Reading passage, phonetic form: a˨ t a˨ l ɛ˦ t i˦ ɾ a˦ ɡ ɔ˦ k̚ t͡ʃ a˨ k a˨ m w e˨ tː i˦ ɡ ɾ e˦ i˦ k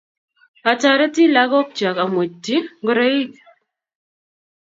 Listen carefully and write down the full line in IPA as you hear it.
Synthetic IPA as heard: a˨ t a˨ ɾ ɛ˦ t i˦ l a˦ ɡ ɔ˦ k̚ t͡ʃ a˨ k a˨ m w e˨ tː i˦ ɡ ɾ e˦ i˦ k

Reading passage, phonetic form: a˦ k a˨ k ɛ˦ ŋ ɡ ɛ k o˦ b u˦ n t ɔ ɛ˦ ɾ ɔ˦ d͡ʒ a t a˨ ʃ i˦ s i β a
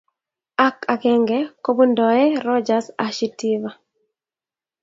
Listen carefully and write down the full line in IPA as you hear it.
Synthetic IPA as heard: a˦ k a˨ k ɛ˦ ŋ ɡ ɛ k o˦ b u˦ n d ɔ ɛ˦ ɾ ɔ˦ d͡ʒ a s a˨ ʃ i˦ t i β a

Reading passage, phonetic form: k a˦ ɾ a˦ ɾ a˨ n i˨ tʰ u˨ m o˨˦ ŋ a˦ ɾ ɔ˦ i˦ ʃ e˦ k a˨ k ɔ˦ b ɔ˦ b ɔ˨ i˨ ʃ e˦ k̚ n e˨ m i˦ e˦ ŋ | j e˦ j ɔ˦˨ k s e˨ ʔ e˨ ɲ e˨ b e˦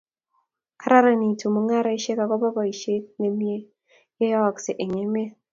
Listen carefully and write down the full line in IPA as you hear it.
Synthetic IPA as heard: k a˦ ɾ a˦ ɾ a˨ n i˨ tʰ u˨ m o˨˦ ŋ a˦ ɾ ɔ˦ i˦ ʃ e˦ k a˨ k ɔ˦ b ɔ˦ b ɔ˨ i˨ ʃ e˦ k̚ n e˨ m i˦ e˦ | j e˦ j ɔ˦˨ k s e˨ ʔ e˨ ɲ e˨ m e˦

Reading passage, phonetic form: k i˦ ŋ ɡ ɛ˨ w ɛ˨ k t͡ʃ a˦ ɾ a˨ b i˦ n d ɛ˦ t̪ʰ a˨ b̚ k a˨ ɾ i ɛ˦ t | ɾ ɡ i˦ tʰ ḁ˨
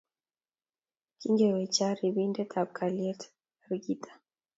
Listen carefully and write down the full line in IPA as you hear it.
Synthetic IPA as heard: k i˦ ŋ ɡ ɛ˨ w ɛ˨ t͡ʃ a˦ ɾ i˨ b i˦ n d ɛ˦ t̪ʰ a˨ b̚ k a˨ l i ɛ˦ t | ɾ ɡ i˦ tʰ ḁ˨

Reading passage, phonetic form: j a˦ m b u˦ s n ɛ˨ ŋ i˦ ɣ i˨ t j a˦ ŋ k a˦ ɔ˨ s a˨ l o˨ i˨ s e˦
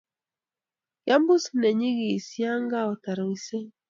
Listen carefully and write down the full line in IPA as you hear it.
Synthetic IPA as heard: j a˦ m b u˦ s n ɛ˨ ɲ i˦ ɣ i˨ s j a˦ ŋ ɡ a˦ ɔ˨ t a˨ ɾ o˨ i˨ s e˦

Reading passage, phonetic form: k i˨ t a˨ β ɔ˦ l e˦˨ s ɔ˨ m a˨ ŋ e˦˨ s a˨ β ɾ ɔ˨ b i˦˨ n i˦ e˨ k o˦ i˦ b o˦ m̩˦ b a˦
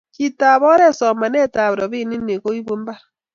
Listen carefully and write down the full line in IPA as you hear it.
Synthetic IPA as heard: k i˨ t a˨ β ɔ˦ ɾ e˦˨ s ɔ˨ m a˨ n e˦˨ t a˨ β ɾ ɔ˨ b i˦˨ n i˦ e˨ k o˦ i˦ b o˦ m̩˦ b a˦

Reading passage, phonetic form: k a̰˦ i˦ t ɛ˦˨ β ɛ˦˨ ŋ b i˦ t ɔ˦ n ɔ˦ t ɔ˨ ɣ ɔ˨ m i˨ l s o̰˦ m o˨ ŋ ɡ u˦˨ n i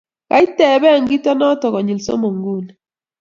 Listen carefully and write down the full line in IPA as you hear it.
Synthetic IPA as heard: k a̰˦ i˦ t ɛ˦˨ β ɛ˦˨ ŋ ɡ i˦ t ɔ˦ n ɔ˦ t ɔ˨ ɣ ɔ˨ ɲ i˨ l s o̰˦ m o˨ ŋ ɡ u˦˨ n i

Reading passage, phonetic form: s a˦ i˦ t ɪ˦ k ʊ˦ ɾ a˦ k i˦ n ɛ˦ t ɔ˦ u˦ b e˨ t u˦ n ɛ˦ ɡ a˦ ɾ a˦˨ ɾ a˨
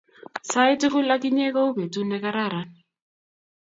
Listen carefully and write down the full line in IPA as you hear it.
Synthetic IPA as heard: s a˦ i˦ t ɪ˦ k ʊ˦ l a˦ k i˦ ɲ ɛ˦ k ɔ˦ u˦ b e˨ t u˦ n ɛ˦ k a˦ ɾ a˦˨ ɾ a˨

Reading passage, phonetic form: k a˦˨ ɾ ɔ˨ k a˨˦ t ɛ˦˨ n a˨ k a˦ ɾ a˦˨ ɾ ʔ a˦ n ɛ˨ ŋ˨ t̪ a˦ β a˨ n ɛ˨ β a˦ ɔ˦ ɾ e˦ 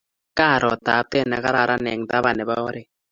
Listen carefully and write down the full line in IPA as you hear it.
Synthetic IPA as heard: k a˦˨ ɾ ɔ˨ t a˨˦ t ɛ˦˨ n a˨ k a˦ ɾ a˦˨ ɾ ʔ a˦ n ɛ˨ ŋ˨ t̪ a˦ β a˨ n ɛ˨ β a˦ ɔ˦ ɾ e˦

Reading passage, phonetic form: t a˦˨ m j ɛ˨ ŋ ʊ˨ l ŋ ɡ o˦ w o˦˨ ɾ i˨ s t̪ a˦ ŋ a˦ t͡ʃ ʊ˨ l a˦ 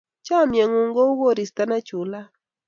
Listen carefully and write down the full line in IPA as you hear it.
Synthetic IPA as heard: t͡ʃ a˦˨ m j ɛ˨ ŋ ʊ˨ ŋ ɡ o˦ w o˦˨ ɾ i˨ s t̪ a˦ n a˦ t͡ʃ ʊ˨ l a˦

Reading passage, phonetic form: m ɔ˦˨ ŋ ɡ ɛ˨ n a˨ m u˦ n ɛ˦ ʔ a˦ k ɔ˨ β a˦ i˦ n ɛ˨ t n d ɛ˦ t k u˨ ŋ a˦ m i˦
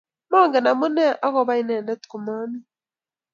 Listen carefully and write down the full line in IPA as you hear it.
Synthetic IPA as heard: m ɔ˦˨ ŋ ɡ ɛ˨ n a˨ m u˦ n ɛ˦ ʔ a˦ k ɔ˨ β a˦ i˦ n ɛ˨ n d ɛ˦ t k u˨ m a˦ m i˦

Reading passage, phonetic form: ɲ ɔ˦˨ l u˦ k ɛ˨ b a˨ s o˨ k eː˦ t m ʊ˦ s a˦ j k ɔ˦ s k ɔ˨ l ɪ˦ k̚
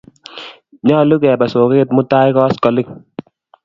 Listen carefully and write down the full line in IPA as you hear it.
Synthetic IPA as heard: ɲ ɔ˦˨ l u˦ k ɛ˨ b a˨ s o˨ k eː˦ t m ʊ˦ t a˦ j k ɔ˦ s k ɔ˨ l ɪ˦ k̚

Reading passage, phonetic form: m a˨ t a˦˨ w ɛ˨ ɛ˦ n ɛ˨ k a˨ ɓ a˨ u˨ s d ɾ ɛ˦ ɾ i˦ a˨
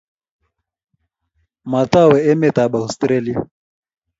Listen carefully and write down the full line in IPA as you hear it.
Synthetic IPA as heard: m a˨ t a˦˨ w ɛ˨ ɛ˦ m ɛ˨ t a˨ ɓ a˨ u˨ s t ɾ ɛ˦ l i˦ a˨

